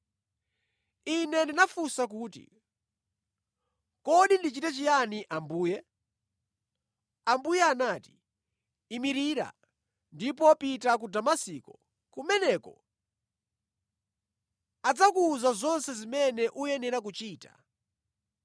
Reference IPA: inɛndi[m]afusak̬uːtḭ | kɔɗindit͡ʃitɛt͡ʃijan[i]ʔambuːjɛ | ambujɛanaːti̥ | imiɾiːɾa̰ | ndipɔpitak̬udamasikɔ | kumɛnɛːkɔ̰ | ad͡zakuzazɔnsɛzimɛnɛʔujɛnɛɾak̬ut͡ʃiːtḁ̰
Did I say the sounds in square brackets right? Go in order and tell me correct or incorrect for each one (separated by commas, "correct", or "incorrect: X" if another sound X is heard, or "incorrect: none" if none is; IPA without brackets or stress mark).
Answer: incorrect: n, correct